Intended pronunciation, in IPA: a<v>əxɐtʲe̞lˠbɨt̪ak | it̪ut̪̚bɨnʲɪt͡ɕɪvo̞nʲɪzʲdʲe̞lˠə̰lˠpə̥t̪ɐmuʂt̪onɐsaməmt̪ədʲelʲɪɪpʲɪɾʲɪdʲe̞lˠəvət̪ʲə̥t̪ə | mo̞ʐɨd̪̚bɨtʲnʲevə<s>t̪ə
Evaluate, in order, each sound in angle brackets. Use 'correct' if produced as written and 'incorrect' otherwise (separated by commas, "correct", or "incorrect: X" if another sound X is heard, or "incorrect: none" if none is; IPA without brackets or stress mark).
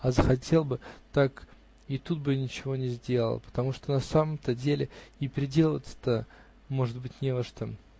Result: incorrect: z, incorrect: ʂ